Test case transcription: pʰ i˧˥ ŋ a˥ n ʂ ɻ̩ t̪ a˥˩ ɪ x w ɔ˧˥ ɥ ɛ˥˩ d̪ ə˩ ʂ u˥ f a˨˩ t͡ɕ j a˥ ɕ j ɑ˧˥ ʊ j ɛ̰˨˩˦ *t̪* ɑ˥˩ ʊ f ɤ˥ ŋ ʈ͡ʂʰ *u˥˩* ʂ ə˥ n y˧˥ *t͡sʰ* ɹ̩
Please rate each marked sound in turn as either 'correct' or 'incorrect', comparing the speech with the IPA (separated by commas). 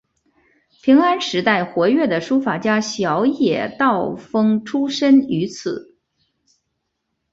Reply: correct, incorrect, correct